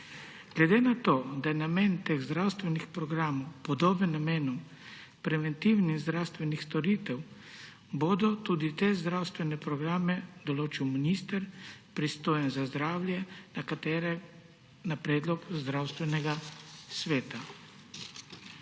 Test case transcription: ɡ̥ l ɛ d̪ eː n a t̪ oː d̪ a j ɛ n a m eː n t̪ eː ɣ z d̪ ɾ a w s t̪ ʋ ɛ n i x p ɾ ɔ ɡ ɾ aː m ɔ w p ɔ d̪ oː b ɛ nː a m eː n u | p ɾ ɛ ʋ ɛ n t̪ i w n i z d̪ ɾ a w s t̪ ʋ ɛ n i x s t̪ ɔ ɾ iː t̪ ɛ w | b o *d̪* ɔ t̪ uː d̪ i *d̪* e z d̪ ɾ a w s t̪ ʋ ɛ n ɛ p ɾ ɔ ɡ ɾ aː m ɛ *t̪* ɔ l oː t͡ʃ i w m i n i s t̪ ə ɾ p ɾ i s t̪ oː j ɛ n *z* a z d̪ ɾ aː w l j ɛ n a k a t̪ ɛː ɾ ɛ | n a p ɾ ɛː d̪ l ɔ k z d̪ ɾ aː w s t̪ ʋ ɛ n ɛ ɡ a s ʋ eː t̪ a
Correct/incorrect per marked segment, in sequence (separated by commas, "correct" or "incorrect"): correct, incorrect, incorrect, correct